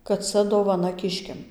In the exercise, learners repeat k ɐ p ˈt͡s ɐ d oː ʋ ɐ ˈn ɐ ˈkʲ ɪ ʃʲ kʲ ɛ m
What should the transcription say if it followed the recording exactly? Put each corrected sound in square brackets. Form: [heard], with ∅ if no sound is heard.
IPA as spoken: k ɐ [t] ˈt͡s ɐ d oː ʋ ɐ ˈn ɐ ˈkʲ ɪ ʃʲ kʲ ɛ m

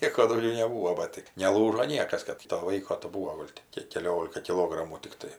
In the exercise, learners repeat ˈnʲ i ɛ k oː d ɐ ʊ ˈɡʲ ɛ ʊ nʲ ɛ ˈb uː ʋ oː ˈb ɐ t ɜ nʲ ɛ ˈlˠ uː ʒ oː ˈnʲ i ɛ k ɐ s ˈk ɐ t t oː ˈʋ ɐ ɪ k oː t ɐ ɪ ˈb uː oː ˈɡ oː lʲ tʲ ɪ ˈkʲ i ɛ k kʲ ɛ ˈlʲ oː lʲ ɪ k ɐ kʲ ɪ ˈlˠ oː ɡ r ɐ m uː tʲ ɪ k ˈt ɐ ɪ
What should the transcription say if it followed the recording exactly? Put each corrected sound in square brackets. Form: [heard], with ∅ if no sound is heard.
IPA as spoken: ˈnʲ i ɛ k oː d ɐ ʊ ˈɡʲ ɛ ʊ nʲ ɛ ˈb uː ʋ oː ˈb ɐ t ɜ nʲ ɛ ˈlˠ uː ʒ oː ˈnʲ i ɛ k ɐ s ˈk ɐ t t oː ˈʋ ɐ ɪ k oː t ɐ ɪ ˈb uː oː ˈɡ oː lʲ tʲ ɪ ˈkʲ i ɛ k kʲ ɛ ˈlʲ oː lʲ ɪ k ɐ kʲ ɪ ˈlˠ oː ɡ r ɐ m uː tʲ ɪ k ˈt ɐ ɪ

